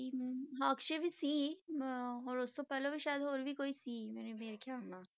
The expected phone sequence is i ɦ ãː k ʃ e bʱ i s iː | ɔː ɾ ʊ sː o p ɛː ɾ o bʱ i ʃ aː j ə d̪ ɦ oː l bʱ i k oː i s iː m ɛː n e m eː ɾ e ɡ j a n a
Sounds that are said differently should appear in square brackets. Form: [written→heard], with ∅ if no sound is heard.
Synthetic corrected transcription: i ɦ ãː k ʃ e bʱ i s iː | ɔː ɾ ʊ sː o p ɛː [ɾ→l] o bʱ i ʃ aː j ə d̪ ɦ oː [l→ɾ] bʱ i k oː i s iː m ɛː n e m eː ɾ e [ɡ→k] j a n a